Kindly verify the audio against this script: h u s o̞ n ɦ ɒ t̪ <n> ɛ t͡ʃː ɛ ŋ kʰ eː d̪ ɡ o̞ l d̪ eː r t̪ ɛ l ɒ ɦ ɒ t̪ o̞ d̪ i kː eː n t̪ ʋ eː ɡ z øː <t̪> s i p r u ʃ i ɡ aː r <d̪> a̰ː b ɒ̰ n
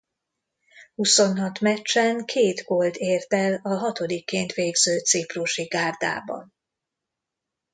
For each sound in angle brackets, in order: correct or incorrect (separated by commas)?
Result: incorrect, correct, correct